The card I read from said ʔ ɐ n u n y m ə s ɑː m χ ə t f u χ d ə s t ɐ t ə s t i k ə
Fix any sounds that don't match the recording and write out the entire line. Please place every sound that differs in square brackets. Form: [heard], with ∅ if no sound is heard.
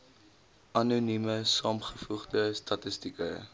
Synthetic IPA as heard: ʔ ɐ n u n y m ə s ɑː m χ ə [∅] f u χ d ə s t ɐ t ə s t i k ə